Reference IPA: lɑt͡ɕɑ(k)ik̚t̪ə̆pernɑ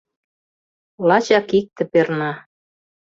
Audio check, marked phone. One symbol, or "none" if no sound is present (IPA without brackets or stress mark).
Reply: k